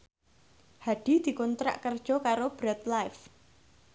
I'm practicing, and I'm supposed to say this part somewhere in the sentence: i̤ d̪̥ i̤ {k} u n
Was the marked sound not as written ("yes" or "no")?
no